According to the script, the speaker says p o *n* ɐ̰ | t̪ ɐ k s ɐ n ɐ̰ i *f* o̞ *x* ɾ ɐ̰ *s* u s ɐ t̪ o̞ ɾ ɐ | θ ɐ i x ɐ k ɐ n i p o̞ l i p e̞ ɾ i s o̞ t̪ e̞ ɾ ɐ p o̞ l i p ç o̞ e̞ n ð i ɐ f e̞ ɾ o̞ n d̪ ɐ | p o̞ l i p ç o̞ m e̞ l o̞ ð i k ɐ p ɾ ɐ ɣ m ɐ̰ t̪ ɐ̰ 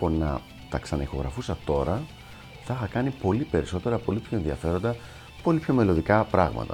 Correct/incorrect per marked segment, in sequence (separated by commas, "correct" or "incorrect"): correct, incorrect, incorrect, incorrect